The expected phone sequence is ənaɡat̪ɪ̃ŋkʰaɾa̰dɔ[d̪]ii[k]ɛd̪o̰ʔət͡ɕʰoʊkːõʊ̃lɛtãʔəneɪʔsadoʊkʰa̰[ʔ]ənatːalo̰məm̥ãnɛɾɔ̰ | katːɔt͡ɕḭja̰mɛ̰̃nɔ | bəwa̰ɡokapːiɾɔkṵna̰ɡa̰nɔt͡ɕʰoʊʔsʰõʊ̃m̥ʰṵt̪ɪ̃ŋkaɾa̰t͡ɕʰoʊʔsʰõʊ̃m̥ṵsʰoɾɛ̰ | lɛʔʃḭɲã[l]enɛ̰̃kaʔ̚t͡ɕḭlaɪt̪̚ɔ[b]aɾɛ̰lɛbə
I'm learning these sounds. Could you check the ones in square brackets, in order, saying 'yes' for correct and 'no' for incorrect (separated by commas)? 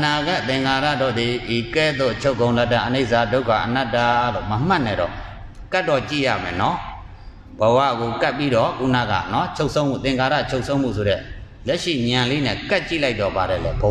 yes, yes, yes, yes, yes